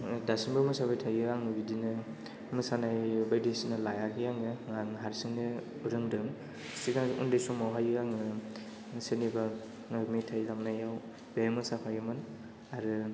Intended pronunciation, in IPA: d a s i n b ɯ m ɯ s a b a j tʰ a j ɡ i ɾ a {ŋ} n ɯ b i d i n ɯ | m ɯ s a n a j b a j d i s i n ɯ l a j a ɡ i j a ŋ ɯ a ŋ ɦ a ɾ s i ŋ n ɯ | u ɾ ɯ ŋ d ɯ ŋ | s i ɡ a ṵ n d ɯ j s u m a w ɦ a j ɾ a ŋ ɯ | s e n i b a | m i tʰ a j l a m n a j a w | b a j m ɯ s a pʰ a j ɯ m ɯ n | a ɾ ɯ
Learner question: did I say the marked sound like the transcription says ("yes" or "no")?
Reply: yes